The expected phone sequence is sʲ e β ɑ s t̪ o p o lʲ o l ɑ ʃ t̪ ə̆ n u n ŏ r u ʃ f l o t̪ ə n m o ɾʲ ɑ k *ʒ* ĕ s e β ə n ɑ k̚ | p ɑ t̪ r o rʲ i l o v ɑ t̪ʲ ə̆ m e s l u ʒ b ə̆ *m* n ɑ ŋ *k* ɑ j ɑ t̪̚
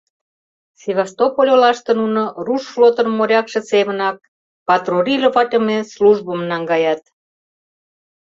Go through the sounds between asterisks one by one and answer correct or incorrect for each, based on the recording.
incorrect: ʃ, correct, incorrect: ɡ

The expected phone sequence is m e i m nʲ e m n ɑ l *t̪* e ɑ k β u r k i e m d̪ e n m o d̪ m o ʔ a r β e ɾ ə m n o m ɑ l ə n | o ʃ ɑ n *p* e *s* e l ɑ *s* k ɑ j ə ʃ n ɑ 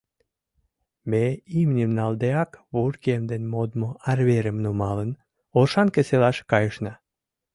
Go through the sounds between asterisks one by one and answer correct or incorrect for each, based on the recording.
incorrect: d̪, incorrect: k, correct, incorrect: ʃ

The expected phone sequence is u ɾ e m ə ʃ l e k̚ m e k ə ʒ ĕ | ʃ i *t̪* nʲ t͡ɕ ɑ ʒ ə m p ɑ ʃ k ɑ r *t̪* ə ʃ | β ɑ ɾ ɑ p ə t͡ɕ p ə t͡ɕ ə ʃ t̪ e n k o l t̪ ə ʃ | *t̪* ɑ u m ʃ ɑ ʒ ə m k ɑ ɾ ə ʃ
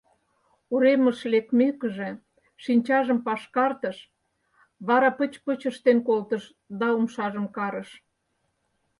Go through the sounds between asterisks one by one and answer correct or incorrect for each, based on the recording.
incorrect: none, correct, incorrect: d̪

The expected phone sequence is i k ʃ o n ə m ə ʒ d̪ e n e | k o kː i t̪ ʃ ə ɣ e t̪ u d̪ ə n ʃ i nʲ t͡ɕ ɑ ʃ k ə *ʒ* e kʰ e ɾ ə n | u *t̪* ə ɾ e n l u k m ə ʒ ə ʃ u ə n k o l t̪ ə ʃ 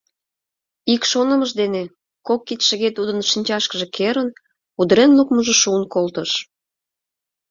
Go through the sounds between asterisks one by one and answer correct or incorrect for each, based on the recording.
correct, incorrect: d̪

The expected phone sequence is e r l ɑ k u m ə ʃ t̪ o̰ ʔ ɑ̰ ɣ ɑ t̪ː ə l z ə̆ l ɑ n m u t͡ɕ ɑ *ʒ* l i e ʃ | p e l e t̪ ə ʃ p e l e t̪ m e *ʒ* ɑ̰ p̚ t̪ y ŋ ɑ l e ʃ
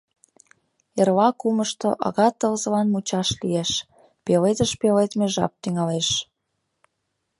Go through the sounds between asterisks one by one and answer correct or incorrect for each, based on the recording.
incorrect: ʃ, correct

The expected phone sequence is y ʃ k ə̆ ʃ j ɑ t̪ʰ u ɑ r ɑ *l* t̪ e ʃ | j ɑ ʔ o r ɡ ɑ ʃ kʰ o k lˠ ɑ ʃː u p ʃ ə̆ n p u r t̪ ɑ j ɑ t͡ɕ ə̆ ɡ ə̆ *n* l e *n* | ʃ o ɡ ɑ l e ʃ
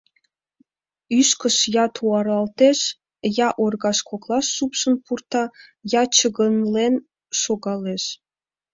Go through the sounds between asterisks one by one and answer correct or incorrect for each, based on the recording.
correct, correct, correct

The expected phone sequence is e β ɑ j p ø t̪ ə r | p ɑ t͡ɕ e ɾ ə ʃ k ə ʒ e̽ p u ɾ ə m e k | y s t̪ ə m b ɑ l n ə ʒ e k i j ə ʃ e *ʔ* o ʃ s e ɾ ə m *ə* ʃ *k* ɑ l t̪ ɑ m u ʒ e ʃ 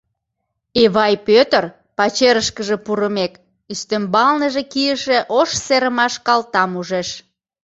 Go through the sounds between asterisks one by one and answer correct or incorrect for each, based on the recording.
correct, incorrect: ɑ, correct

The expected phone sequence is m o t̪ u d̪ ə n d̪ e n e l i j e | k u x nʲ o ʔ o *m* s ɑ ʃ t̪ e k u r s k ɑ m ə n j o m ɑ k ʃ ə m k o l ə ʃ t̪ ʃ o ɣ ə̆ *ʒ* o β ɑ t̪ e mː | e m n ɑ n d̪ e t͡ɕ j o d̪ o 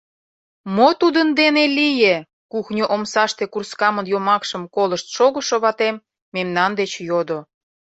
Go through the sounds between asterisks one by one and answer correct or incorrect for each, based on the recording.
correct, incorrect: ʃ

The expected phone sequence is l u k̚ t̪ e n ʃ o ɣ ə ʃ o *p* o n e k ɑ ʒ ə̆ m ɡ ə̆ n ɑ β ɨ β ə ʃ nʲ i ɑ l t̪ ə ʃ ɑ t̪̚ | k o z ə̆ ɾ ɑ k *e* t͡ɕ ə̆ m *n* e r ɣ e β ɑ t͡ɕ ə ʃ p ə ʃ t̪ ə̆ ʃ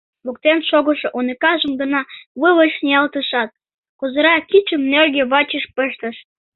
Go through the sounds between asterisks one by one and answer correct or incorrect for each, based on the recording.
incorrect: ʔ, incorrect: i, correct

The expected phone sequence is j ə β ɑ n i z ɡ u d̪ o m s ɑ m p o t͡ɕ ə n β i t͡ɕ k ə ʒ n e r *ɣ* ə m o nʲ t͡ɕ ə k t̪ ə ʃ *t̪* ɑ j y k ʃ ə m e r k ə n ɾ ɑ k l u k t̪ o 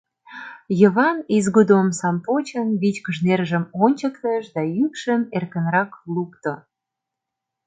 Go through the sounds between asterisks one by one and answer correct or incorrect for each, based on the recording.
incorrect: ʒ, incorrect: d̪

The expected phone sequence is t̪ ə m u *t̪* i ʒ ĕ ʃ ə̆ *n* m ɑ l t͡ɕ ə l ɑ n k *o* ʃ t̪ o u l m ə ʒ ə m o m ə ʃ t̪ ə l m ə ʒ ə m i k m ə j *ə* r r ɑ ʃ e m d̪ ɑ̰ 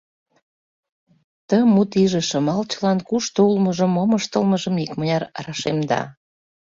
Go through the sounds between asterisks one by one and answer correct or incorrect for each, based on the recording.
correct, incorrect: none, incorrect: u, incorrect: ɑ

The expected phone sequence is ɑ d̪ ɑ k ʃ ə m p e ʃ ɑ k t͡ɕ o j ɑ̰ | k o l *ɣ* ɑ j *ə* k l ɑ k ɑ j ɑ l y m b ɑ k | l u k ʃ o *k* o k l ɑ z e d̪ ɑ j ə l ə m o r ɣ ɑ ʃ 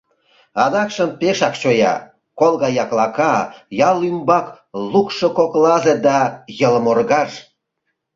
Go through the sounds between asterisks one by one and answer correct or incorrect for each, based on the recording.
correct, incorrect: ɑ, correct

